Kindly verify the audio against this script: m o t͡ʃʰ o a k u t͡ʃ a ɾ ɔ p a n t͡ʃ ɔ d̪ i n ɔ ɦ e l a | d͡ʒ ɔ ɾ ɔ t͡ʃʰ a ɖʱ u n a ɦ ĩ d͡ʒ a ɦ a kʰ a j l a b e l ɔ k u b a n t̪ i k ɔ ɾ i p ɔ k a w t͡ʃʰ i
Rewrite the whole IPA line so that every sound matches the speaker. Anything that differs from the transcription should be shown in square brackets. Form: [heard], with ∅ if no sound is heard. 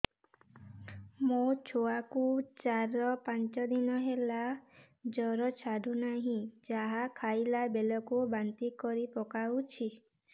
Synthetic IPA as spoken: m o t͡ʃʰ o a k u t͡ʃ a ɾ ɔ p a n t͡ʃ ɔ d̪ i n ɔ ɦ e l a | d͡ʒ ɔ ɾ ɔ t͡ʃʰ a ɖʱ u n a ɦ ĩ d͡ʒ a ɦ a kʰ a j l a b e l ɔ k u b a n t̪ i k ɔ ɾ i p ɔ k a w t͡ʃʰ i